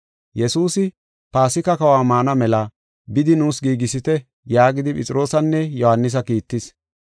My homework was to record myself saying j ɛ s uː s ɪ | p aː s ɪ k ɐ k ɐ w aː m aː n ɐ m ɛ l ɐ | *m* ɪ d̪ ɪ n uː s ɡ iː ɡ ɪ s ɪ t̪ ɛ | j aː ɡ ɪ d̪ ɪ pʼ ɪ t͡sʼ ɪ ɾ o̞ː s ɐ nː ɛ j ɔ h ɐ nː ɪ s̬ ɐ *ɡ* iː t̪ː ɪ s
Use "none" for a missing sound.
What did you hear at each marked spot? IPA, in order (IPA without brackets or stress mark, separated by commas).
b, k